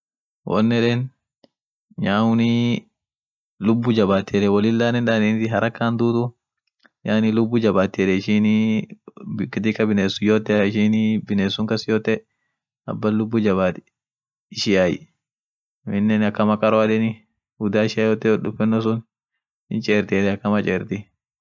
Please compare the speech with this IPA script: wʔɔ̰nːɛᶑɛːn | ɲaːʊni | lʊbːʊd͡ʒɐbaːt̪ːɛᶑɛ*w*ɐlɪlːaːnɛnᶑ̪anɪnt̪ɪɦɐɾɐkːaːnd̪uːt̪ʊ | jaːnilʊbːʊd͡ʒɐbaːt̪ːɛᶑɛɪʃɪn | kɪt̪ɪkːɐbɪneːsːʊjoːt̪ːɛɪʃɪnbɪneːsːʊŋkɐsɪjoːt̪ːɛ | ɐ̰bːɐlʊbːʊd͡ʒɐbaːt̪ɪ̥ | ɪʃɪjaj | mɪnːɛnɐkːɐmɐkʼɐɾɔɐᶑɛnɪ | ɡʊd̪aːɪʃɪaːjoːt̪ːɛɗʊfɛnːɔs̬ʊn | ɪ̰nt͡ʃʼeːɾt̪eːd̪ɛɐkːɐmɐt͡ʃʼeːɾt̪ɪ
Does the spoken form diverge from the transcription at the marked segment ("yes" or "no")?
no